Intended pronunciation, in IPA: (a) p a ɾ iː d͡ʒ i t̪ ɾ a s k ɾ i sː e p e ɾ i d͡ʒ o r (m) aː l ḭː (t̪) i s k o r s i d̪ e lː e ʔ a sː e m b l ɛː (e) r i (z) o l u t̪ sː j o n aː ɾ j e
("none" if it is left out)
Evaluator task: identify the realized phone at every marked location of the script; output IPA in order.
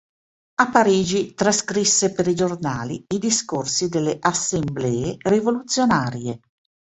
a, n, d̪, e, v

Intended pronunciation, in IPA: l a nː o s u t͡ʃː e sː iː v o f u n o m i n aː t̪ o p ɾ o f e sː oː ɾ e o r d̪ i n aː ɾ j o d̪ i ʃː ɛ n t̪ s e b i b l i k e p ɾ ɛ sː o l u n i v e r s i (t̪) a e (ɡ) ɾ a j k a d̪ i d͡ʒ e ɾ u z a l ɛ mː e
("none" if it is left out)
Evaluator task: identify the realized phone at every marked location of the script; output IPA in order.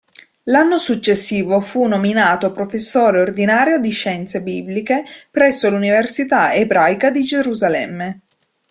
t̪, b

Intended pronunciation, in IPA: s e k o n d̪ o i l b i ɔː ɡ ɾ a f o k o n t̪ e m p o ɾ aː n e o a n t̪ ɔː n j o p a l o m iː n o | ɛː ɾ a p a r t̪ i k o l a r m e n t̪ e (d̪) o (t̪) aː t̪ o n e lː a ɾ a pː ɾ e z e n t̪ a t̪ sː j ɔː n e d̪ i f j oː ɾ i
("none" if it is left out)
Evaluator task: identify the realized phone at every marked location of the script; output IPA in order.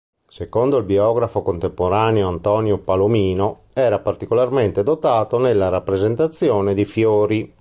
d̪, t̪

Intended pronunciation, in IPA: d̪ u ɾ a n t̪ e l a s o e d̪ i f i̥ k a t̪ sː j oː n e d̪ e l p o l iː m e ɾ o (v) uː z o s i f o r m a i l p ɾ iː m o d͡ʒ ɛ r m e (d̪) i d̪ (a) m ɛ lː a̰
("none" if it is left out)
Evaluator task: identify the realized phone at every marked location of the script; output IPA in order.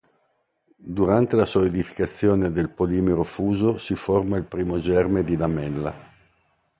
f, d̪, a

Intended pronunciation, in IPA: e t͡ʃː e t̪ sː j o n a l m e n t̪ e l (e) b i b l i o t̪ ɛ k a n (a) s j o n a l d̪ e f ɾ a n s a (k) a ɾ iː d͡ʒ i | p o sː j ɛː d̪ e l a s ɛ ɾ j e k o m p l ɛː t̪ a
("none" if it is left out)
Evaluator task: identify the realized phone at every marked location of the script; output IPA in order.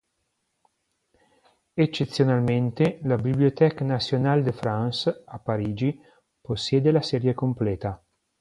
a, a, p

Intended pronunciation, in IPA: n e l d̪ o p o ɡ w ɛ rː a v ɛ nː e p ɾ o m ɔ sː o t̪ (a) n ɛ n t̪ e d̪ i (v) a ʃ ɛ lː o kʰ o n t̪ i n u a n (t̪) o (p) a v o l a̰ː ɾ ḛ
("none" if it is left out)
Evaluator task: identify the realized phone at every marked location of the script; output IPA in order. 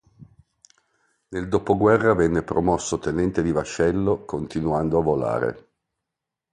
e, v, d̪, none

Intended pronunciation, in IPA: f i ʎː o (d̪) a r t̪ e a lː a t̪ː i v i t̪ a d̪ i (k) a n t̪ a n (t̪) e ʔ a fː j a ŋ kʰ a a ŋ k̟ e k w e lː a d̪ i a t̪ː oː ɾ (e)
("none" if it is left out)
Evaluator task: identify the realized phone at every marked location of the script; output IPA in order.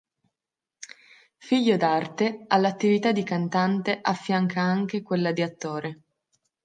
d̪, k, t̪, e

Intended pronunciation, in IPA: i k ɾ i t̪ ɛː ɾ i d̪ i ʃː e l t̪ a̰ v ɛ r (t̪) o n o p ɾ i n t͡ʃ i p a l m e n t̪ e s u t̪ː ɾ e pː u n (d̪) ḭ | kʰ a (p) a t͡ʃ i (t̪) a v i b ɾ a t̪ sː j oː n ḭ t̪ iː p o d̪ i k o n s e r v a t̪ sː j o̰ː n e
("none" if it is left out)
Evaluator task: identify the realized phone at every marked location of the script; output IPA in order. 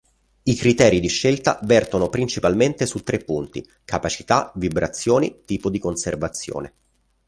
t̪, t̪, p, t̪

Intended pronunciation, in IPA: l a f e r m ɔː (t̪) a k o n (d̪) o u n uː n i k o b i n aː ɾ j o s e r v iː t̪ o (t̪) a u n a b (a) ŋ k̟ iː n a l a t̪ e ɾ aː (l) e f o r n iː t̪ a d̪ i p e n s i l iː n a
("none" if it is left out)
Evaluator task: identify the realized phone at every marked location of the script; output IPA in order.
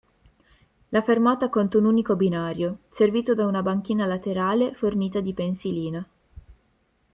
t̪, t̪, d̪, a, l

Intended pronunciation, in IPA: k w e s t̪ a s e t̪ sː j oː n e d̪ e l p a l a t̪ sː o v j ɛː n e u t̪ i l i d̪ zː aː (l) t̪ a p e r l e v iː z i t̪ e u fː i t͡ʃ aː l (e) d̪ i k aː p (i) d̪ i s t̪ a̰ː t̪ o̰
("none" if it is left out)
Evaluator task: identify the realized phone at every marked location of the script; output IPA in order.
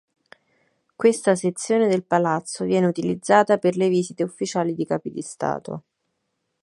none, i, i

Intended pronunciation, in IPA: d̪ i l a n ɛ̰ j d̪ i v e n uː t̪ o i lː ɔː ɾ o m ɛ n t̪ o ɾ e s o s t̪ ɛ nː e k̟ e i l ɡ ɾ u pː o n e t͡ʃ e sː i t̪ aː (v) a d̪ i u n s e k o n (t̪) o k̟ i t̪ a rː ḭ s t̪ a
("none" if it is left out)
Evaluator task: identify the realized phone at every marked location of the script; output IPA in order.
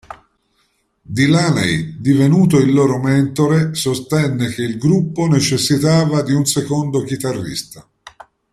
v, d̪

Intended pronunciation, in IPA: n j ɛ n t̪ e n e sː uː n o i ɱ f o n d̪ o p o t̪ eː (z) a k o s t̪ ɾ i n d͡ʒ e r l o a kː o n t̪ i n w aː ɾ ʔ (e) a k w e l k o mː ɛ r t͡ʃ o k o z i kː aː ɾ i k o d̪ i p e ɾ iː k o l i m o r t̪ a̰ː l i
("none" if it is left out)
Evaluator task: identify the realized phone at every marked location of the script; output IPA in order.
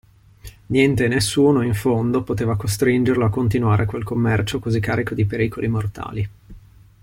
v, e

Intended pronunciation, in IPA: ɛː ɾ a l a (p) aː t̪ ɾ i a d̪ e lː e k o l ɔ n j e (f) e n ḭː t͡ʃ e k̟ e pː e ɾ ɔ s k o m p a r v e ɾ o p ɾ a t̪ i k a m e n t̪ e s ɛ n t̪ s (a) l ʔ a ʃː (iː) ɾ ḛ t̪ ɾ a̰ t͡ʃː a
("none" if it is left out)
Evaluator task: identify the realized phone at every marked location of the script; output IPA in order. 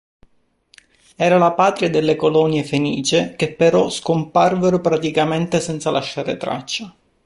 p, f, a, aː

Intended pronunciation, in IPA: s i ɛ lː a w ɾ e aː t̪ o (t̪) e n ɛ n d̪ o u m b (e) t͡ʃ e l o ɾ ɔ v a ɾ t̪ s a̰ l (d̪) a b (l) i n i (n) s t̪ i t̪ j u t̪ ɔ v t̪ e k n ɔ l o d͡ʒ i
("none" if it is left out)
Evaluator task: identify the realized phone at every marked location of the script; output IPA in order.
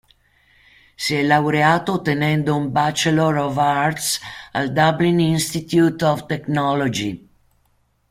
t̪, a, d̪, l, n

